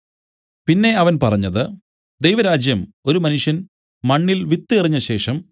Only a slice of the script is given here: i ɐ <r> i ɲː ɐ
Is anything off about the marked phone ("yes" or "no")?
no